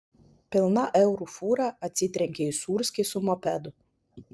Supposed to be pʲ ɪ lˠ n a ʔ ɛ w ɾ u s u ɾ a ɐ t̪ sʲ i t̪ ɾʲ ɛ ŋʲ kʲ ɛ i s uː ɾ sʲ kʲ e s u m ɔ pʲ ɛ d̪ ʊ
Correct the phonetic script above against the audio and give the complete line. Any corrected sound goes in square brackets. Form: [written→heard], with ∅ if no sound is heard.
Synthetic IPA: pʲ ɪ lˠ n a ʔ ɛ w ɾ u [s→f] u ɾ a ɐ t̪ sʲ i t̪ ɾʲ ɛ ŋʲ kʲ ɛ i s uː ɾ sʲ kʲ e s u m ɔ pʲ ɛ d̪ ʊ